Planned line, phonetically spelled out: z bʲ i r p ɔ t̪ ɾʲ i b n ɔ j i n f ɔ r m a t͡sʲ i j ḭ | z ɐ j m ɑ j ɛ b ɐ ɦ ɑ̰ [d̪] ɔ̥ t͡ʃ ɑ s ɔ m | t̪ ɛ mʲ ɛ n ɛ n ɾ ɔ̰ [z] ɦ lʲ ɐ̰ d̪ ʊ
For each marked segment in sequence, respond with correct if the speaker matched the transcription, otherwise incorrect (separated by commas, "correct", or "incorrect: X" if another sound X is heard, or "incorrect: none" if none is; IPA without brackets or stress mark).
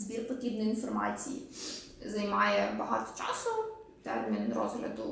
incorrect: t̪, correct